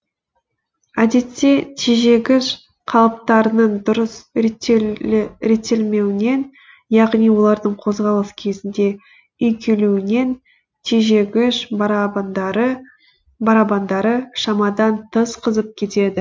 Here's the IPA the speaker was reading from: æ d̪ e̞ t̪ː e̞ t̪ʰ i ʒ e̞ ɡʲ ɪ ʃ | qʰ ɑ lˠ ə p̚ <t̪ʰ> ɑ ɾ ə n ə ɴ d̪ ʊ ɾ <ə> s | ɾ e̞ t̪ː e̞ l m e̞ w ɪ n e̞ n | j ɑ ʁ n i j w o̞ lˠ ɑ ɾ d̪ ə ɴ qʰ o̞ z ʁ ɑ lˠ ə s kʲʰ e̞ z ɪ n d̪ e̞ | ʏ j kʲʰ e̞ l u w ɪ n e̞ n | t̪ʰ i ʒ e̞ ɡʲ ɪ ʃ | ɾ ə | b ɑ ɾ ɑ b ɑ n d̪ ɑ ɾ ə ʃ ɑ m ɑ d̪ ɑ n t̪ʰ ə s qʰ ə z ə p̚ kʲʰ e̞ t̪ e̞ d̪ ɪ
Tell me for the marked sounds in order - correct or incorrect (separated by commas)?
incorrect, correct